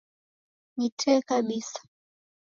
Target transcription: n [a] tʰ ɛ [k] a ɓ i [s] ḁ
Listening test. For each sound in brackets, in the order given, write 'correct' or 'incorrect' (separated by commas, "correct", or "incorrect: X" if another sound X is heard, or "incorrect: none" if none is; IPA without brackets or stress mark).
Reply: incorrect: i, correct, correct